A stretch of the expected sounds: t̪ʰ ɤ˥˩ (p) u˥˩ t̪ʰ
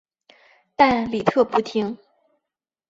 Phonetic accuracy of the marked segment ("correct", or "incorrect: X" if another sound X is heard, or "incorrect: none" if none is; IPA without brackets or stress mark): correct